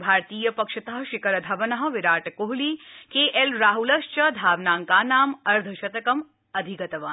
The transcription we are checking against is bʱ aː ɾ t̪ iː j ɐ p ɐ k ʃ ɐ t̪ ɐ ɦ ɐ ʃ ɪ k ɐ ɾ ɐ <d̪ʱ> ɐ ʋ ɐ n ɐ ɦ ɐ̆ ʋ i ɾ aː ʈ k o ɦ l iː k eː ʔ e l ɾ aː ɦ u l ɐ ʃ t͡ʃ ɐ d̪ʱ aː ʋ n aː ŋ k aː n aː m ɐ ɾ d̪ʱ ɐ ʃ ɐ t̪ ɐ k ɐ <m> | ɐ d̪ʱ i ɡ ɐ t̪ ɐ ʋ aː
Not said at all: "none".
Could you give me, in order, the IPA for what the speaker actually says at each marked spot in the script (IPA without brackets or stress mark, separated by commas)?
d̪ʱ, m